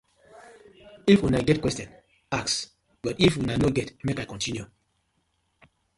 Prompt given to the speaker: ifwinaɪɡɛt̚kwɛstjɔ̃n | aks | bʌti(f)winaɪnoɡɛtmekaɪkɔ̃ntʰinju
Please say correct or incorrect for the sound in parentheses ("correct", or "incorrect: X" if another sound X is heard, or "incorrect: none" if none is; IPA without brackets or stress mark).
correct